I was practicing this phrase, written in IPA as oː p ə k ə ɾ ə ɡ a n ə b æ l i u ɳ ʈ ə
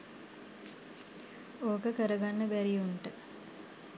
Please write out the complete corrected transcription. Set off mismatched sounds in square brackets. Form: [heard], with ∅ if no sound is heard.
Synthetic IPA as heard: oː [k] ə k ə ɾ ə ɡ a [nː] ə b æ [ɾ] i u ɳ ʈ ə